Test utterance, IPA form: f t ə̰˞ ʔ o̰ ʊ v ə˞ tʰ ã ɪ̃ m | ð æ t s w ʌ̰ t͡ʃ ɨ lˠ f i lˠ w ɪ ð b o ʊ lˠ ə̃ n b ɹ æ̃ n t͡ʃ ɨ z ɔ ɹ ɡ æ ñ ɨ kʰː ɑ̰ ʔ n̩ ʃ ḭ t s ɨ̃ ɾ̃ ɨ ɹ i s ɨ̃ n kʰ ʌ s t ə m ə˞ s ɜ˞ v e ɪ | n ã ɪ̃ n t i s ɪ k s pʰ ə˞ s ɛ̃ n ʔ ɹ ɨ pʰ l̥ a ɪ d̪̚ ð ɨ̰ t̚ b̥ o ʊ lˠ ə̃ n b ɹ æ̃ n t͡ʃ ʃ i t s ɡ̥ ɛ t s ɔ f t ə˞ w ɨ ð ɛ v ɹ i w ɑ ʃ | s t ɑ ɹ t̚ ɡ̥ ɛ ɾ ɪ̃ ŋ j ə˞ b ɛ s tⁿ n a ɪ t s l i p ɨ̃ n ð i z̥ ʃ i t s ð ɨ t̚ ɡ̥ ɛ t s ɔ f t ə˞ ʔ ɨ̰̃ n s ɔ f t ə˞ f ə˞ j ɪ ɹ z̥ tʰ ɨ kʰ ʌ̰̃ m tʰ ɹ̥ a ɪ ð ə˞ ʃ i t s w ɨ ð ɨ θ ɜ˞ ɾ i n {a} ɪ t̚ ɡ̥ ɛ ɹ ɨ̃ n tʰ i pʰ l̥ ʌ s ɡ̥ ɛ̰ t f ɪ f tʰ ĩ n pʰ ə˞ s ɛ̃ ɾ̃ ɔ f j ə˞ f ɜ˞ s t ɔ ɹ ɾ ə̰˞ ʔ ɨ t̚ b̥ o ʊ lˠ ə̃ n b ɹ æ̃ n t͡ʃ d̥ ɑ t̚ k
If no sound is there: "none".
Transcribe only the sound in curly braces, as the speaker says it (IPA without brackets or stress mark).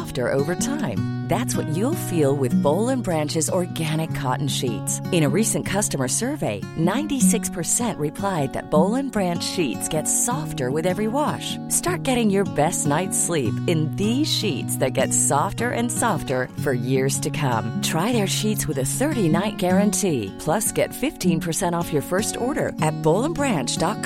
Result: a